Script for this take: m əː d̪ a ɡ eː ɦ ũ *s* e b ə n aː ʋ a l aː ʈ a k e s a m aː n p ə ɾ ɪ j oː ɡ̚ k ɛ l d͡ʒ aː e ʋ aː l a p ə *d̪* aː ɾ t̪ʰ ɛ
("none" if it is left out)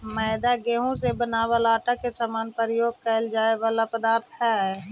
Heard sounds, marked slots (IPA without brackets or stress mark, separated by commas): s, d̪